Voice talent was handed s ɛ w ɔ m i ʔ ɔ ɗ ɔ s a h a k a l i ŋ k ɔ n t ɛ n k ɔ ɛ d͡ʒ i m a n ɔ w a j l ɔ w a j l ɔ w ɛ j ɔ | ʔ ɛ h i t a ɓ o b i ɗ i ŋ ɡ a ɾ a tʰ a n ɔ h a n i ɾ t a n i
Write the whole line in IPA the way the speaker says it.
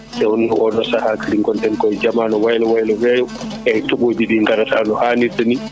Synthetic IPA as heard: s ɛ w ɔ n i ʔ ɔ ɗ ɔ s a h a k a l i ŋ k ɔ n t ɛ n k ɔ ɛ d͡ʒ a m a n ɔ w a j l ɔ w a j l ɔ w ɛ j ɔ | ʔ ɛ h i t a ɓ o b i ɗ i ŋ ɡ a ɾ a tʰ a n ɔ h a n i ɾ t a n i